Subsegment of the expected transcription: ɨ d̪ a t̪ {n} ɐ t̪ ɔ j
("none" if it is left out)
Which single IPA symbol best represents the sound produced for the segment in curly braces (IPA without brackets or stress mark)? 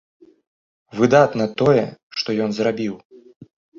n